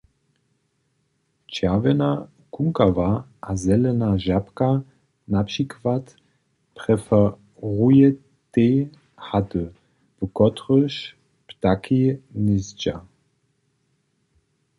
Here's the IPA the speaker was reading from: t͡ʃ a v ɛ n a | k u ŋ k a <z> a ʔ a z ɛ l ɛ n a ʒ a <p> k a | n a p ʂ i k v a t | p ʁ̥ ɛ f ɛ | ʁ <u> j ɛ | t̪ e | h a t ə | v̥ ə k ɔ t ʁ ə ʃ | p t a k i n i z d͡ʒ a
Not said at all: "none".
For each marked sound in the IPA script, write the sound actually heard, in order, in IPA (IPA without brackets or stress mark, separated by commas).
v, p, u